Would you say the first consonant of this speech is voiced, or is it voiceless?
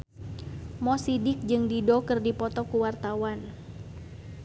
voiced